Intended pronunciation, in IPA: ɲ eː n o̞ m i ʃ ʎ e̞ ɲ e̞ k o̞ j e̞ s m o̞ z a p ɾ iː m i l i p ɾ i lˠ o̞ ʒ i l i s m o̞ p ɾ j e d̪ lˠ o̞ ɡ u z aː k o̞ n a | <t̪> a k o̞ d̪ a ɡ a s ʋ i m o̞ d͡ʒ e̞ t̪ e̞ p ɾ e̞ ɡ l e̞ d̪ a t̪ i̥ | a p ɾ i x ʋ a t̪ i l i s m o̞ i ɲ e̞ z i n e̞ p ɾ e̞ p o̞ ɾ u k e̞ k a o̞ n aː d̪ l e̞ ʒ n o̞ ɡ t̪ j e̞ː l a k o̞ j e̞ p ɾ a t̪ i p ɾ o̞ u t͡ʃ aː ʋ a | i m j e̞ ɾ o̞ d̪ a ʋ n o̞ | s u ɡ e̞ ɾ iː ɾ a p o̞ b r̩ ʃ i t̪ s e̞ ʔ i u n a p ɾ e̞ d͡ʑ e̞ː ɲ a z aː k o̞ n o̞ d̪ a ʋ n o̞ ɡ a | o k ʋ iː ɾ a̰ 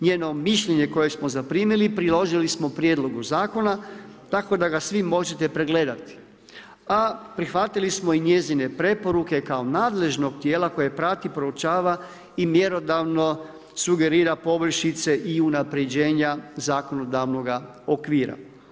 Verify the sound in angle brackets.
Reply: correct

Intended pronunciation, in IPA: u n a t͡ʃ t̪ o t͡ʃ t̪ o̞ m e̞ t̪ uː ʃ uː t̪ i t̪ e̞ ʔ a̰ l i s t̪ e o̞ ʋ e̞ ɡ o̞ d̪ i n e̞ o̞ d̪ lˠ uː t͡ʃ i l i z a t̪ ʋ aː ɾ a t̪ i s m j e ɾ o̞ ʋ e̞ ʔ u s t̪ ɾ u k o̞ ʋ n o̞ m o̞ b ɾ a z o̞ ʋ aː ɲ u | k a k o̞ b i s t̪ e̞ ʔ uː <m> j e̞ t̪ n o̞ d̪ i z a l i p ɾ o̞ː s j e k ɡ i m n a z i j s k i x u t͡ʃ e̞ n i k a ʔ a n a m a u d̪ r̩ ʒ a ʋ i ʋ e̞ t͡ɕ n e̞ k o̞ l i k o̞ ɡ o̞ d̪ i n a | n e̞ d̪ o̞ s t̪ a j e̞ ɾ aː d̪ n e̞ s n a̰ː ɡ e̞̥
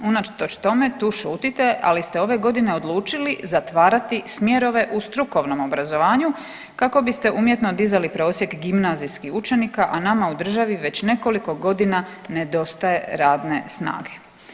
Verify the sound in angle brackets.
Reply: correct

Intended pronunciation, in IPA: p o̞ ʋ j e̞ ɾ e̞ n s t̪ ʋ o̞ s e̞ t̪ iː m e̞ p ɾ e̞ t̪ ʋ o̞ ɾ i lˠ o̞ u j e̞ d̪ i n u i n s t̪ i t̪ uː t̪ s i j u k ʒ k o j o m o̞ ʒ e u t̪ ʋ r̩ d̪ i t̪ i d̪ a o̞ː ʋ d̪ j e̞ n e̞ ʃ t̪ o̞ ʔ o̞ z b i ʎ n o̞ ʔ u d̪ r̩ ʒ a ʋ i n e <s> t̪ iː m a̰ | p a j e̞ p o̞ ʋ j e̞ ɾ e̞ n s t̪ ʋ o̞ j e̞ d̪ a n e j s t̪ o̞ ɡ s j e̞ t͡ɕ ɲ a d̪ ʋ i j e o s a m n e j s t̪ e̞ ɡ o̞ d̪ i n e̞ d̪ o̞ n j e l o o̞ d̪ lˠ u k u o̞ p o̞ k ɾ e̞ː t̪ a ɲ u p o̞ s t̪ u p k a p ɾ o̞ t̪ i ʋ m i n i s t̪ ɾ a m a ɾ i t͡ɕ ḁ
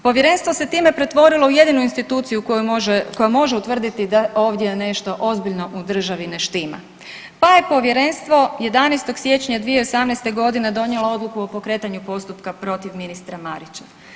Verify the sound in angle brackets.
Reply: incorrect: ʃ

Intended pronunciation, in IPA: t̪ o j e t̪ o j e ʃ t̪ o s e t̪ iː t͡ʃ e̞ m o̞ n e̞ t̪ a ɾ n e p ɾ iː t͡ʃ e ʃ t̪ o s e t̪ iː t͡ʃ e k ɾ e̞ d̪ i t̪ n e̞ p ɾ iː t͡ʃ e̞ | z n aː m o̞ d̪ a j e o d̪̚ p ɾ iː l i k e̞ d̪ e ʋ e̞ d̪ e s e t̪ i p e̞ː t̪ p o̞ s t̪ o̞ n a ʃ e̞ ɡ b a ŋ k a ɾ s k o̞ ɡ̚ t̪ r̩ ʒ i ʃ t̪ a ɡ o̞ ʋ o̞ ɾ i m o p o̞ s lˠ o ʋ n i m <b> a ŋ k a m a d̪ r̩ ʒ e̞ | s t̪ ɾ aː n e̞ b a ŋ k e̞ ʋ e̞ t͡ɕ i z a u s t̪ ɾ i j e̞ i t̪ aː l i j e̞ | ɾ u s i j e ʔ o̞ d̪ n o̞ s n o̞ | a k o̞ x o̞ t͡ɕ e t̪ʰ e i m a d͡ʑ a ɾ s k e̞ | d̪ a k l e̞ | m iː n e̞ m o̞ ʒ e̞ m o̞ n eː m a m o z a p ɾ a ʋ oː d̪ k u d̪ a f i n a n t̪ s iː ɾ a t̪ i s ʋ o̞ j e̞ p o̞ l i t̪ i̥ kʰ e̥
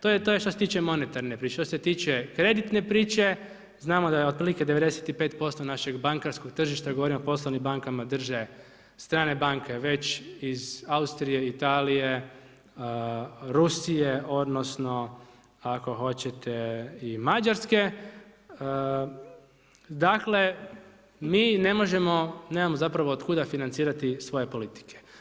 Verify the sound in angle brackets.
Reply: correct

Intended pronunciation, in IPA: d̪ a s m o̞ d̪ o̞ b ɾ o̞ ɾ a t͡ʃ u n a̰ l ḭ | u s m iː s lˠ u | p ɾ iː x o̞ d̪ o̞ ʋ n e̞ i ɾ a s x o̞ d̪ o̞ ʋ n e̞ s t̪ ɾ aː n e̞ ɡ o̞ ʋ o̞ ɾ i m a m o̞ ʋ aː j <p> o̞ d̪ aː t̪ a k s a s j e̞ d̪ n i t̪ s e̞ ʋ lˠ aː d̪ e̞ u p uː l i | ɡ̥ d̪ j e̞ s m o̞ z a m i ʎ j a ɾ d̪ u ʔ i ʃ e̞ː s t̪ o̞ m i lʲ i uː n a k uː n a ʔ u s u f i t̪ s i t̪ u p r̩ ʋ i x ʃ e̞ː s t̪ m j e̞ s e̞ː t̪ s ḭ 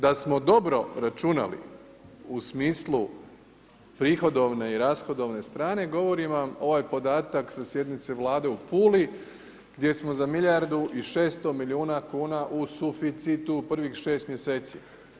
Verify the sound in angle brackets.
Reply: correct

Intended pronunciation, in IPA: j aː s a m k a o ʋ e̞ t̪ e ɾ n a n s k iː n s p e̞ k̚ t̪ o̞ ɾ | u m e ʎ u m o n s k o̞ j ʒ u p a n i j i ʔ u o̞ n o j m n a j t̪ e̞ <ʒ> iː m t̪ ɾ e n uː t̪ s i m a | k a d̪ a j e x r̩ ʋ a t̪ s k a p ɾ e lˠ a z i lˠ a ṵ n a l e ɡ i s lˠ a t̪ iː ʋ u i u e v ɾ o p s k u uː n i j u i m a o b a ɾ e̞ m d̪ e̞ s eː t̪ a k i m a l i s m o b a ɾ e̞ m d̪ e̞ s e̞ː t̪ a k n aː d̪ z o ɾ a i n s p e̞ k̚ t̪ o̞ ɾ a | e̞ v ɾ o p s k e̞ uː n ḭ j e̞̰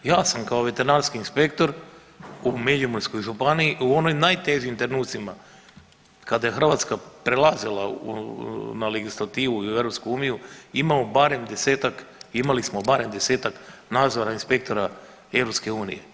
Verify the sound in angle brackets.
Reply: correct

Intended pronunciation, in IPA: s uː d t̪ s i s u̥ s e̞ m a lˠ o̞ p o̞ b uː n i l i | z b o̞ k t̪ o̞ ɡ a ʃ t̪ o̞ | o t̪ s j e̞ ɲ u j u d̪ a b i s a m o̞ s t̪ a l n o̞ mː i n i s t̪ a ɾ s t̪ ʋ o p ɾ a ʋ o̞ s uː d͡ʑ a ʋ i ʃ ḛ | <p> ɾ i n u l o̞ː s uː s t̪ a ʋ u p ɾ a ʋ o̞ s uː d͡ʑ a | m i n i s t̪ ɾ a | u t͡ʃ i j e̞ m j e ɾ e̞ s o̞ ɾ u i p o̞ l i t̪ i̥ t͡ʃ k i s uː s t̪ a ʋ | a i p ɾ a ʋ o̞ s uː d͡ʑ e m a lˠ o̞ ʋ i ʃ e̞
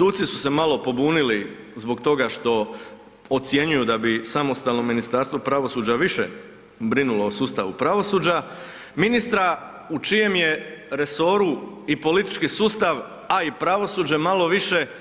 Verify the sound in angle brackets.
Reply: incorrect: b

